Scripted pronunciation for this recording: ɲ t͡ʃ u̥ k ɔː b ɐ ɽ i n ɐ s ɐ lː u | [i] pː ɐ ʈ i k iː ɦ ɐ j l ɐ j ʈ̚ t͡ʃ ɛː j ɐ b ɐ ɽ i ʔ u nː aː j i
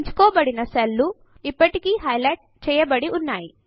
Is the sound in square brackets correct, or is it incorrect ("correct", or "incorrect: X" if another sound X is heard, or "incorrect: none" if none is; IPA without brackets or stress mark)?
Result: correct